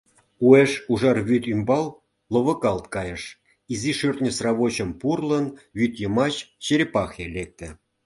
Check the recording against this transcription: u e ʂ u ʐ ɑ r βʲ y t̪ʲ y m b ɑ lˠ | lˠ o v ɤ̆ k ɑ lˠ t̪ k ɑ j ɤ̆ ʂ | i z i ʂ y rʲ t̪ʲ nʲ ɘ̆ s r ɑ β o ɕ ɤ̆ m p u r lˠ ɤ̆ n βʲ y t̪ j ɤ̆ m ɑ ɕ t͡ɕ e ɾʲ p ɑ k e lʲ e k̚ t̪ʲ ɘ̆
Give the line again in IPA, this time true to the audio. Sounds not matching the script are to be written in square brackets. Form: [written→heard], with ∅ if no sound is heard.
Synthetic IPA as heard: u e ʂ u ʐ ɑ r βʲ y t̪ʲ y m b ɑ lˠ | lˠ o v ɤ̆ k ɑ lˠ t̪ k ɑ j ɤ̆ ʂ | i z i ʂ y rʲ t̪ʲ nʲ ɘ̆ s r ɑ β o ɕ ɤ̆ m p u r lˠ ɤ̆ n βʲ y t̪ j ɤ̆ m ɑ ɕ t͡ɕ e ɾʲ p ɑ [k→x] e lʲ e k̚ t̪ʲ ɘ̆